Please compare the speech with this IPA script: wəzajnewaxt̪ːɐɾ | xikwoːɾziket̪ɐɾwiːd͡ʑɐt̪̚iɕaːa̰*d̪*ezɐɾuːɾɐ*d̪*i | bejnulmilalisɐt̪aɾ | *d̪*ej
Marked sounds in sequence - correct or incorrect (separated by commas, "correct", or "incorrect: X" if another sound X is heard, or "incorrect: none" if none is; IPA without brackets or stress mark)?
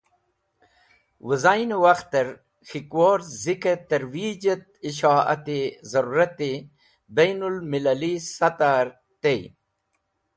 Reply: incorrect: t̪, incorrect: t̪, incorrect: t̪